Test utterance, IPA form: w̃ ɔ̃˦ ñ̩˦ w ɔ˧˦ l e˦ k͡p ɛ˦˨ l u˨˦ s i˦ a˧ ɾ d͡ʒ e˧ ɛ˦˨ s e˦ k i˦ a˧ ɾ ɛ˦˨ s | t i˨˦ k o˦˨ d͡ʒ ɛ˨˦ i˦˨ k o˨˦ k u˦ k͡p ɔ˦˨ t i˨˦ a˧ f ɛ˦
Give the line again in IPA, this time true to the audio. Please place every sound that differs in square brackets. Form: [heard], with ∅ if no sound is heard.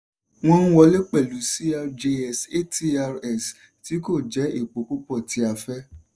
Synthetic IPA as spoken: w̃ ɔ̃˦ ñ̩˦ w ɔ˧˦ l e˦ k͡p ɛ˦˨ l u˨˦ s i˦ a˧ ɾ d͡ʒ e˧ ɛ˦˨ s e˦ [t] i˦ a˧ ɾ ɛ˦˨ s | t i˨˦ k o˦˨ d͡ʒ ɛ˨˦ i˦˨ [k͡p] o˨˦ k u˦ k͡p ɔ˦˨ t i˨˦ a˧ f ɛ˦